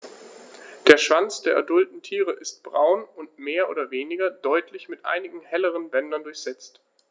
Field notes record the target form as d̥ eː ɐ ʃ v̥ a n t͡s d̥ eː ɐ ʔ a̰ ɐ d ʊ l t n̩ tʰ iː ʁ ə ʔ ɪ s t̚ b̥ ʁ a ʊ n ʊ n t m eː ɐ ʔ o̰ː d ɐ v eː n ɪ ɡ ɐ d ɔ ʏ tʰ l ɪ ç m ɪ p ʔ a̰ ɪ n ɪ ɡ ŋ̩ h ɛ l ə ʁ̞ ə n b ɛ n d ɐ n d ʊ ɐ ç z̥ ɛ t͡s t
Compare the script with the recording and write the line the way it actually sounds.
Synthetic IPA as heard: d̥ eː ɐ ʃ v̥ a n t͡s d̥ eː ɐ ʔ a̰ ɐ d ʊ l t n̩ tʰ iː ʁ ə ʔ ɪ s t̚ b̥ ʁ a ʊ n ʊ n t m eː ɐ ʔ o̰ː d ɐ v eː n ɪ ɡ ɐ d ɔ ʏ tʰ l ɪ ç m ɪ t ʔ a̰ ɪ n ɪ ɡ ŋ̩ h ɛ l ə ʁ̞ ə n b ɛ n d ɐ n d ʊ ɐ ç z̥ ɛ t͡s t